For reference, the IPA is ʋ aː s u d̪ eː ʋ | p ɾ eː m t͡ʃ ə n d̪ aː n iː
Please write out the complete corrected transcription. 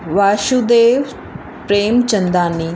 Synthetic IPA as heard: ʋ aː ʃ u d̪ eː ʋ | p ɾ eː m t͡ʃ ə n d̪ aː n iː